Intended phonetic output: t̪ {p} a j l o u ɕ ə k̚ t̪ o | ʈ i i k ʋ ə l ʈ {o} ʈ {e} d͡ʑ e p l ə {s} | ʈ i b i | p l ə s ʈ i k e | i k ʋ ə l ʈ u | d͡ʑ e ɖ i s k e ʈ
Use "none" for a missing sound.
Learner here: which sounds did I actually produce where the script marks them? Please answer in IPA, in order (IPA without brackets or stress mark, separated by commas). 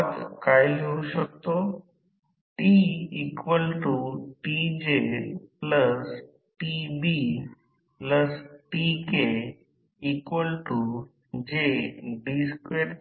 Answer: k, u, i, s